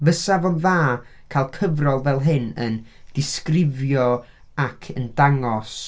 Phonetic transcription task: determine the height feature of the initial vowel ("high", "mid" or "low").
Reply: mid